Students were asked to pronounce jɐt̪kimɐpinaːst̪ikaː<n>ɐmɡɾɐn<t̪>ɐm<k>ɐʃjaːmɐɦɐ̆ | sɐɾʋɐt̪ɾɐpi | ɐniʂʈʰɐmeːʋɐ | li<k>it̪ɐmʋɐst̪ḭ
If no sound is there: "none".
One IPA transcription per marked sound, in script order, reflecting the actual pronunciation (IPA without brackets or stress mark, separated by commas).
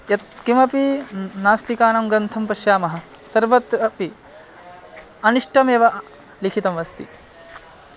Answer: n, t̪ʰ, p, kʰ